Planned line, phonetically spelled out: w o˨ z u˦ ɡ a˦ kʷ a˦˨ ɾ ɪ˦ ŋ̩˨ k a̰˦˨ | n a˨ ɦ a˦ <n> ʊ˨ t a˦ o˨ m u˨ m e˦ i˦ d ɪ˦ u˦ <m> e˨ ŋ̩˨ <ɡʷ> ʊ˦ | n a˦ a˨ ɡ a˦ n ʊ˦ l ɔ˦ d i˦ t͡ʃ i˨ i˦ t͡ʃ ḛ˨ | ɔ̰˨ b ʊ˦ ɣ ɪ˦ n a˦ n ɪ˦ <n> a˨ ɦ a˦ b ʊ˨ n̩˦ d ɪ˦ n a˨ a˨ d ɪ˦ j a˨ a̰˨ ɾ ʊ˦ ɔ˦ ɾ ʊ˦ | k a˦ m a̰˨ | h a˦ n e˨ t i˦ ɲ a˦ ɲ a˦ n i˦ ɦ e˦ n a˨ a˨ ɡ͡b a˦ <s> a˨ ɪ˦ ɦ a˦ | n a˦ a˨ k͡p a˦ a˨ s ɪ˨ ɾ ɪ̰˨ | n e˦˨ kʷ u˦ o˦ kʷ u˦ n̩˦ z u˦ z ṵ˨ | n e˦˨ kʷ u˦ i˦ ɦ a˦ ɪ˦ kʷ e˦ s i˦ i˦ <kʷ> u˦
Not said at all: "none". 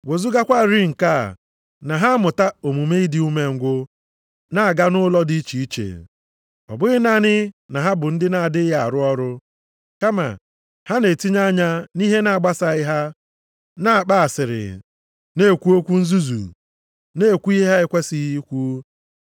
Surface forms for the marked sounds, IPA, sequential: m, m, ɡʷ, n, s, kʷ

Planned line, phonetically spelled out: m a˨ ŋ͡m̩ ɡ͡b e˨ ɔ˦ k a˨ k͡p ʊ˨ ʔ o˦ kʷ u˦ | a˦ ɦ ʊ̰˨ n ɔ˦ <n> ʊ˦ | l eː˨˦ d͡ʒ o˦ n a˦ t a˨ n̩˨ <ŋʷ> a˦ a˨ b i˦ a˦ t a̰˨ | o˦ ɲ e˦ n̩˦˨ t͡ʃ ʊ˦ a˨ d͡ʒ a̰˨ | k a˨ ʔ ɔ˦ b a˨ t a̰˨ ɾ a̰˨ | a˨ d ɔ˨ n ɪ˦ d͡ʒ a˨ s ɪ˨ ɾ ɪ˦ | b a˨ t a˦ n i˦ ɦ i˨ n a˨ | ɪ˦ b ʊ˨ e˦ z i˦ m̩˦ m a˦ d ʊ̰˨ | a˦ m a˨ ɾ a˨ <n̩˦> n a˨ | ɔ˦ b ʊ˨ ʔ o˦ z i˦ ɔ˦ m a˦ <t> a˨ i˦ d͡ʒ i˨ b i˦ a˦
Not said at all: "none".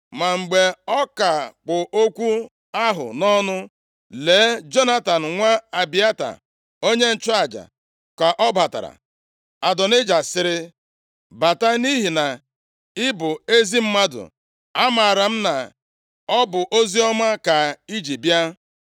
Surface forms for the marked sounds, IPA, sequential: n, ŋʷ, m̩˦, k

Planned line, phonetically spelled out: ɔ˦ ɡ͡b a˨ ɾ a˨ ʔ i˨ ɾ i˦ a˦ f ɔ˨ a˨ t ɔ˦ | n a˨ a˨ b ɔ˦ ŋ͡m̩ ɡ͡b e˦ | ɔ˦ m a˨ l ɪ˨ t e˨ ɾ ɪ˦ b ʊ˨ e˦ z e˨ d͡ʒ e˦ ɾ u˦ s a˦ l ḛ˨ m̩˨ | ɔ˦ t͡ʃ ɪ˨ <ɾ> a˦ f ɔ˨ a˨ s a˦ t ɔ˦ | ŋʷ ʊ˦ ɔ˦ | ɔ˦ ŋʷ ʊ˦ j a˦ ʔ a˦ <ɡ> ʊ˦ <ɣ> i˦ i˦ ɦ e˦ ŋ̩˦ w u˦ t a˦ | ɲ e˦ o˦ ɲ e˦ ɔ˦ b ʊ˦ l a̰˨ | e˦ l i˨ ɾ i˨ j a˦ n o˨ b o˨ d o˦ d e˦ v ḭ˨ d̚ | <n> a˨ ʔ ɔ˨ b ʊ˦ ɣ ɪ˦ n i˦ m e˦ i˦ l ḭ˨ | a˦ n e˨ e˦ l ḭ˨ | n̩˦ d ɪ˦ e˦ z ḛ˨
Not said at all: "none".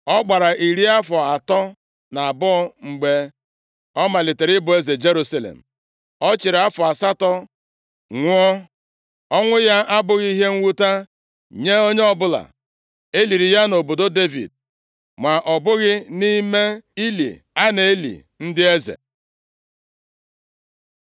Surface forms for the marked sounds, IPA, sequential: ɾ, b, ɣ, m

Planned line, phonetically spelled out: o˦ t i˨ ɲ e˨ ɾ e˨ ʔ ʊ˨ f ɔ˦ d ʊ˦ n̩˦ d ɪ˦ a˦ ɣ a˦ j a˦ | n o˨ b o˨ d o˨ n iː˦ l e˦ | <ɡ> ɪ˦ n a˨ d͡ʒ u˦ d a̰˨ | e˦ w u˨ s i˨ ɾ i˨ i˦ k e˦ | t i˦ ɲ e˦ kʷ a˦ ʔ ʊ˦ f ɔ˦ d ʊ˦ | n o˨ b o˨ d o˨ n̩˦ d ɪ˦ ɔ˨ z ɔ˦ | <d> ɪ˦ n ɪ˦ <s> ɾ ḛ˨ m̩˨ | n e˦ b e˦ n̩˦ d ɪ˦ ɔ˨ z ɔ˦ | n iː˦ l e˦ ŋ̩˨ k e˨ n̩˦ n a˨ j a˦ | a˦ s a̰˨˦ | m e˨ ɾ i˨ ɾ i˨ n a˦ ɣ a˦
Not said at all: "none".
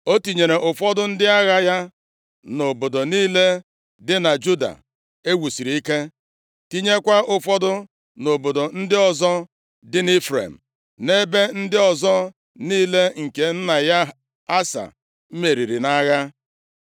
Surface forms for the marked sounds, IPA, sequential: d, d, f

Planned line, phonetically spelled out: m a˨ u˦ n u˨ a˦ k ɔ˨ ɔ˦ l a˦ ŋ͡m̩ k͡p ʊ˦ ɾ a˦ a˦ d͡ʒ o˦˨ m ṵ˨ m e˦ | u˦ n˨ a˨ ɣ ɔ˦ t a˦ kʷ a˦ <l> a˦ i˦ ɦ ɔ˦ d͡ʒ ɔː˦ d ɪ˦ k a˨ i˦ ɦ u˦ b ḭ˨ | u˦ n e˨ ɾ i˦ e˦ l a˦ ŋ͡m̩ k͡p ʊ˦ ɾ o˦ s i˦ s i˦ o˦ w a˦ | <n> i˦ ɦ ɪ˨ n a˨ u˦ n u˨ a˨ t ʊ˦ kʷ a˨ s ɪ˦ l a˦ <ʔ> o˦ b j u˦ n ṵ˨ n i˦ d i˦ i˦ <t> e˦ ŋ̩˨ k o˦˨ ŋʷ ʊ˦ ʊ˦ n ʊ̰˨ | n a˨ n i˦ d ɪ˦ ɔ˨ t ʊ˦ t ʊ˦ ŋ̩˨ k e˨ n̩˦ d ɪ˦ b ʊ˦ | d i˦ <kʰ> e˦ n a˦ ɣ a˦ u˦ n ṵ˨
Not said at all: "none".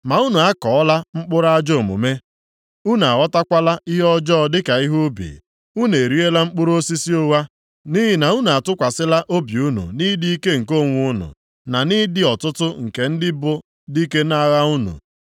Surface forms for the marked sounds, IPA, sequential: l, n, ʔ, k, k

